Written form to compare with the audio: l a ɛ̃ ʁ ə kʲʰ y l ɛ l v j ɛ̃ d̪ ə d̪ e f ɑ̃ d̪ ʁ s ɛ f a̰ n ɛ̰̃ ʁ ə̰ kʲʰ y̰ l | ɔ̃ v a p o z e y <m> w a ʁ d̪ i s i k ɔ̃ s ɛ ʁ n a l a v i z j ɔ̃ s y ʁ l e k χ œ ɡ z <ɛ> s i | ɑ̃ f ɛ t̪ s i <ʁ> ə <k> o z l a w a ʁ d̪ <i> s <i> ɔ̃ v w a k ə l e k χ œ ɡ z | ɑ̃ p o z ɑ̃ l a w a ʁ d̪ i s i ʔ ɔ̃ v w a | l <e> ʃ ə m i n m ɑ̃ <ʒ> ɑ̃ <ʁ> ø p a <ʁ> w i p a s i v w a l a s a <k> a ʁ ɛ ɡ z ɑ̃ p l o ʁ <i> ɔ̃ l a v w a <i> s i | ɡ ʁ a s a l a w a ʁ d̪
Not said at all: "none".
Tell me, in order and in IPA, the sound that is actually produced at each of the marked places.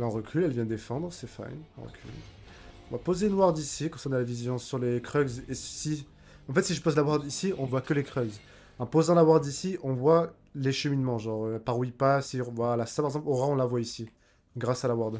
n, e, ʒ, p, i, i, e, ʒ, ʁ, ʁ, p, a, i

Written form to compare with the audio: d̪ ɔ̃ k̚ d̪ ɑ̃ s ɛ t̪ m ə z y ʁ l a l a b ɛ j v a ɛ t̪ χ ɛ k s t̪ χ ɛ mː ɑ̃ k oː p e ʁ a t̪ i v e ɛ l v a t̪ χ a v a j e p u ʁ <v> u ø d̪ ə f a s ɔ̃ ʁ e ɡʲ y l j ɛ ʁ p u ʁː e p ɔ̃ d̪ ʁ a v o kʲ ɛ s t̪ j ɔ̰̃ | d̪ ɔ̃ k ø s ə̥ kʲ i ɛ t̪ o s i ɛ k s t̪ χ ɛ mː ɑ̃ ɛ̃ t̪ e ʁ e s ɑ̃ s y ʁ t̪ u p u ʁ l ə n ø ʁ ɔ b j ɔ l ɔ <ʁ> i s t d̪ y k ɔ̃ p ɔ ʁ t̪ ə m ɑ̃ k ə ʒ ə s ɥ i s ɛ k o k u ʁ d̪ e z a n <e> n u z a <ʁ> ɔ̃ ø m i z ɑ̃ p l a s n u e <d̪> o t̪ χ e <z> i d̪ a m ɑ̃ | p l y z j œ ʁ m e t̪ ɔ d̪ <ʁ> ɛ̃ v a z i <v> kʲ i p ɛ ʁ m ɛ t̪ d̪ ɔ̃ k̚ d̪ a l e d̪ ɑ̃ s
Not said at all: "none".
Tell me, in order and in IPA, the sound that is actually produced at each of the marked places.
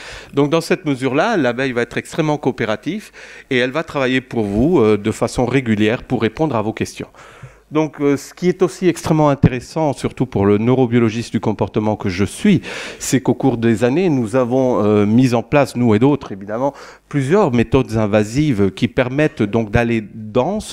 v, ʒ, e, v, d̪, v, z, v

